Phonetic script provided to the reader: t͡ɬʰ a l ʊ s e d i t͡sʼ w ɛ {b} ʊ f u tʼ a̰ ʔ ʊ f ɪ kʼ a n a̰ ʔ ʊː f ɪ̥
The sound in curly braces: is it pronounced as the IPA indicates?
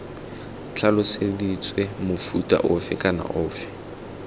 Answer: no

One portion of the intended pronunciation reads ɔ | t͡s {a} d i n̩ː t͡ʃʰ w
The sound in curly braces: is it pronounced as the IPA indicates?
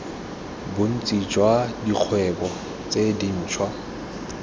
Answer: no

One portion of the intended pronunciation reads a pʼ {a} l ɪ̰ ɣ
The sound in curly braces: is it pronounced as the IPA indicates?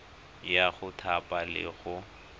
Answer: yes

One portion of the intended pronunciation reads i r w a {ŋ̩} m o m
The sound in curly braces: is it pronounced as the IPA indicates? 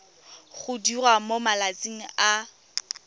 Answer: no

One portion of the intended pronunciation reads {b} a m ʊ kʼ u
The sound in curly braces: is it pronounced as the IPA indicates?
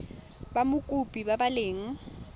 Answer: yes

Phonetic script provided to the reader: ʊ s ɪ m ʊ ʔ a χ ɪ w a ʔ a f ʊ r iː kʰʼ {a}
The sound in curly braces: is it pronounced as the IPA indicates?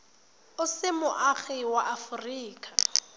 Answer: yes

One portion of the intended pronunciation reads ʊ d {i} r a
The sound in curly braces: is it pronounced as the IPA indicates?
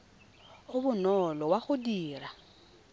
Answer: no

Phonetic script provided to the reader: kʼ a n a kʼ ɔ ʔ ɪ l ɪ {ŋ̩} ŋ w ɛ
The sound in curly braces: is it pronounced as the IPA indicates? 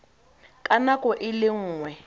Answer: no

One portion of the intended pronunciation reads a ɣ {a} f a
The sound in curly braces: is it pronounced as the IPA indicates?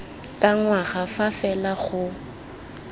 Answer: yes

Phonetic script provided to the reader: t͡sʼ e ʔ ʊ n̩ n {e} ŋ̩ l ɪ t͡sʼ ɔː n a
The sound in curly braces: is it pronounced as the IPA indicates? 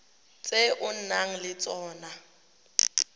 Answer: no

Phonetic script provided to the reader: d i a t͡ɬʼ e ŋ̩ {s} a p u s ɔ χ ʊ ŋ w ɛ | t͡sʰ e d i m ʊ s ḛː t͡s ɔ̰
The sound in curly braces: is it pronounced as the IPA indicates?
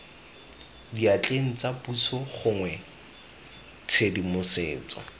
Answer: no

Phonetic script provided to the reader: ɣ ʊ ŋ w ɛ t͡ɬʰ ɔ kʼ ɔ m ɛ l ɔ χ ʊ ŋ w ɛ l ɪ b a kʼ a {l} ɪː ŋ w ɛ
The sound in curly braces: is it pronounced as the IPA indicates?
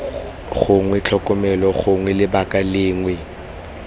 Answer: yes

